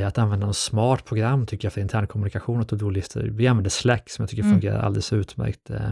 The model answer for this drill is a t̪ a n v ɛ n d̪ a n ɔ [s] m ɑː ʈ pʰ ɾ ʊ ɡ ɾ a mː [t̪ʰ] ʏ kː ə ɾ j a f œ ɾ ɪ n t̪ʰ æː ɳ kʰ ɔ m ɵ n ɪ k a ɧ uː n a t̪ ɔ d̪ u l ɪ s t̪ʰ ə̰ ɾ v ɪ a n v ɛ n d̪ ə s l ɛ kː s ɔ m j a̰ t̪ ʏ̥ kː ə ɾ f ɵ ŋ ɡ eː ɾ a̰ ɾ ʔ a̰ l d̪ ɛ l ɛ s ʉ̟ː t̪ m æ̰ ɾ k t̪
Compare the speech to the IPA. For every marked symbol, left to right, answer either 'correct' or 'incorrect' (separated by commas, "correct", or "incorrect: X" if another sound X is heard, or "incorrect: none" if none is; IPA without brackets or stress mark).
correct, correct